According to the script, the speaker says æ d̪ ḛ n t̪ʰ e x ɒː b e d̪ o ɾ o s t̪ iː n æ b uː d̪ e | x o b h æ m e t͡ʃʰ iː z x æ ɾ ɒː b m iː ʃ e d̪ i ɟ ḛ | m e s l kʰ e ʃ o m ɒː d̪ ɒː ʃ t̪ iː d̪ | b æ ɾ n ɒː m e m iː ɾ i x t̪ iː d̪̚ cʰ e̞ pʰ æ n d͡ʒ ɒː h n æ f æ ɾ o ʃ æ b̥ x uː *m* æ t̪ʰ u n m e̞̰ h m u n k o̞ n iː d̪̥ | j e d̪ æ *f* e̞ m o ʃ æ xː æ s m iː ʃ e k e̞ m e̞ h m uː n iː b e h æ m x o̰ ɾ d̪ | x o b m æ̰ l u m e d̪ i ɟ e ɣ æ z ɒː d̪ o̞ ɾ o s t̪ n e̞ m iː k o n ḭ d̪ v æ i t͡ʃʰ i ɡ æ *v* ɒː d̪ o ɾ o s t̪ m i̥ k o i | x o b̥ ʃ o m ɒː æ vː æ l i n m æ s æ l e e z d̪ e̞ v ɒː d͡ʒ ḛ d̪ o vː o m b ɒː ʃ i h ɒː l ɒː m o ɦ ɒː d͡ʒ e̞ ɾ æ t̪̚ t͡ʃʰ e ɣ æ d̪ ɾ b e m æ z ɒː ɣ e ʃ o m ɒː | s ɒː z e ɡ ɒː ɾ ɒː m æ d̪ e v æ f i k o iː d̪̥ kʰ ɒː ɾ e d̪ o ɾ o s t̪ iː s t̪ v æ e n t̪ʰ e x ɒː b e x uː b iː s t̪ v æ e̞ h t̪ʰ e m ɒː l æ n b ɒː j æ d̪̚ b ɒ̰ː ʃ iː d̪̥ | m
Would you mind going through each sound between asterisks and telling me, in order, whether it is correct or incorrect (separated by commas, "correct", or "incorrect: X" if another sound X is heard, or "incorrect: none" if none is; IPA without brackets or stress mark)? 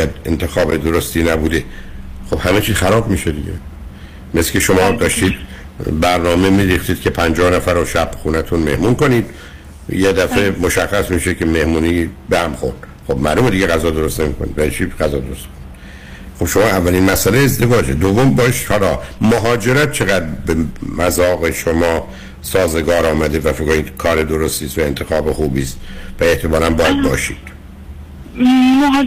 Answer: incorrect: n, correct, incorrect: z